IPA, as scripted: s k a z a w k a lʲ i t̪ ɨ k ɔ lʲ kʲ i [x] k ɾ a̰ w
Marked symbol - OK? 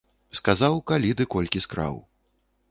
no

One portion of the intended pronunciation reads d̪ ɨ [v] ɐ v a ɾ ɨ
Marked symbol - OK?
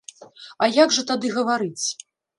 no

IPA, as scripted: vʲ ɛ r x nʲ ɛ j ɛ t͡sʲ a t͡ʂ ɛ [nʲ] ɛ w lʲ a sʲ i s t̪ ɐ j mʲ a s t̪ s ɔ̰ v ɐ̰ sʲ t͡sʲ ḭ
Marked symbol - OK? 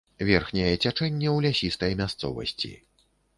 no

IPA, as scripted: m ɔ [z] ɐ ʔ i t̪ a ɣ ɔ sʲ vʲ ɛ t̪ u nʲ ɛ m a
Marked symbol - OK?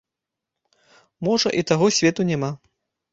no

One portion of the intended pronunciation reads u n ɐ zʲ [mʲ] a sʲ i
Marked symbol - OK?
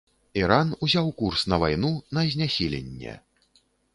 no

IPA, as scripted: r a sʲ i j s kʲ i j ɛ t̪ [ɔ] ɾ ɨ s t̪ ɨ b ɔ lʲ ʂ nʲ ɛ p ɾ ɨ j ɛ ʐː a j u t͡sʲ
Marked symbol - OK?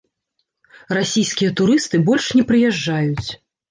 no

